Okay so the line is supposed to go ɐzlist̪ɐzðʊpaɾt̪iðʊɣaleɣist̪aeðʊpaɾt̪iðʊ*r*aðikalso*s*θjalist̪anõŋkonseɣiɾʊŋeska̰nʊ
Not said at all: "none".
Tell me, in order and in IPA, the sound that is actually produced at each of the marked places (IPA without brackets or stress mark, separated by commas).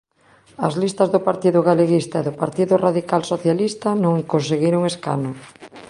r, none